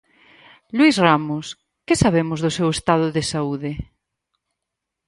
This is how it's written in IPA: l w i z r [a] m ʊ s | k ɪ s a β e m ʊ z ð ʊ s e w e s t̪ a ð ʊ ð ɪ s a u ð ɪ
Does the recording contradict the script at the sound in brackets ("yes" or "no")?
no